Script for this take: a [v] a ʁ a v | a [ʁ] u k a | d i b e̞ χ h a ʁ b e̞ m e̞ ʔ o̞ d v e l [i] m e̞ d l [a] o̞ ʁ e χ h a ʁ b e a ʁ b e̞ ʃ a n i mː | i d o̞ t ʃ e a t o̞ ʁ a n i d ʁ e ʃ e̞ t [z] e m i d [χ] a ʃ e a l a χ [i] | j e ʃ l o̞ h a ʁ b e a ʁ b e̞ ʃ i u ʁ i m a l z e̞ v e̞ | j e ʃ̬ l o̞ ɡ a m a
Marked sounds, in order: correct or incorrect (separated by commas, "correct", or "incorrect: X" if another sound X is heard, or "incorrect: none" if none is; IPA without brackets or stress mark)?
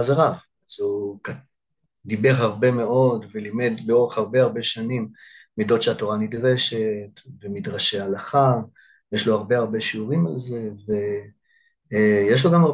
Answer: incorrect: z, incorrect: z, correct, incorrect: e, incorrect: v, incorrect: ʁ, incorrect: a